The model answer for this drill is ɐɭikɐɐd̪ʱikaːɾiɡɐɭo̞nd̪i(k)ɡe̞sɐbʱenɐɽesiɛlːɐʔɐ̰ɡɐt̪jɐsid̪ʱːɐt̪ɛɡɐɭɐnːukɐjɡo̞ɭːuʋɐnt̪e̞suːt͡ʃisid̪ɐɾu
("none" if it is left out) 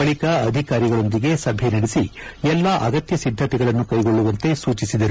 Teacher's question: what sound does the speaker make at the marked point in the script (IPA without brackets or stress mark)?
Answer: none